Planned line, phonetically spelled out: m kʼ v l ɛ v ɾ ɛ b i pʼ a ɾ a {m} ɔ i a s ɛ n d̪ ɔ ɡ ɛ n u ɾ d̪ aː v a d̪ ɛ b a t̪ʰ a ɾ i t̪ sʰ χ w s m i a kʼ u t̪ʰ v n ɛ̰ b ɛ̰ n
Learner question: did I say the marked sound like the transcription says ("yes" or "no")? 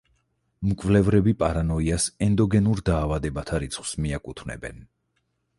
no